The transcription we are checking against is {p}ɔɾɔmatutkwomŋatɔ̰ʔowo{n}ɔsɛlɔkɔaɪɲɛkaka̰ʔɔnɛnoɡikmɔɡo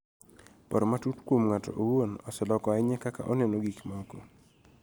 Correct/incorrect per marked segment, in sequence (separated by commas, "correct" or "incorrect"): correct, correct